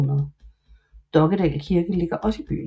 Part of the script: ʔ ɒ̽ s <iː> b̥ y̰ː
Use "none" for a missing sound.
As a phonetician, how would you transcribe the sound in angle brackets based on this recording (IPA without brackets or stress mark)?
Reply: i